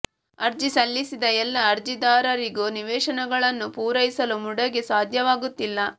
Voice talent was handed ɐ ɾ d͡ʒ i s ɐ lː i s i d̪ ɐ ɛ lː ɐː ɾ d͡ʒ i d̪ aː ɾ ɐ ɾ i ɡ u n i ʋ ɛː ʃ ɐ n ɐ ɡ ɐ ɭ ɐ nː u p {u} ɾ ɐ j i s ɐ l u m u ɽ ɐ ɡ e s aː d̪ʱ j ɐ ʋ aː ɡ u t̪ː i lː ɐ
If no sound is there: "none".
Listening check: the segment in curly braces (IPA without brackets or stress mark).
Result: uː